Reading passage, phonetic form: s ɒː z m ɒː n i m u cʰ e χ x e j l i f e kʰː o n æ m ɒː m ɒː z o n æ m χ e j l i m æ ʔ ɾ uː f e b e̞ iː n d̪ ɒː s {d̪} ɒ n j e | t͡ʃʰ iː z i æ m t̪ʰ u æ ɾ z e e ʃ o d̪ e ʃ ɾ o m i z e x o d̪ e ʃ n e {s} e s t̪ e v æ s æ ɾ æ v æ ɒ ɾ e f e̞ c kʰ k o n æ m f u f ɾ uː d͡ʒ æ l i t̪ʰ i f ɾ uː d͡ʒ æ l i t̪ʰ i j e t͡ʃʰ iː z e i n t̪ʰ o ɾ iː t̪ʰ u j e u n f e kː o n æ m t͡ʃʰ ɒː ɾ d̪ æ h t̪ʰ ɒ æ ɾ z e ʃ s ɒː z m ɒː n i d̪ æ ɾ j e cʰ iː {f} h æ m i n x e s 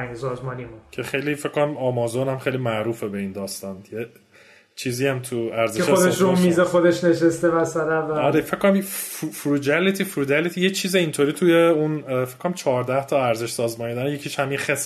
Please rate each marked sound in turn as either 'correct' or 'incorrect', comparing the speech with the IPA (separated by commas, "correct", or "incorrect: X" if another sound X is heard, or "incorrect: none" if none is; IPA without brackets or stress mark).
incorrect: t̪, incorrect: ʃ, incorrect: ʃ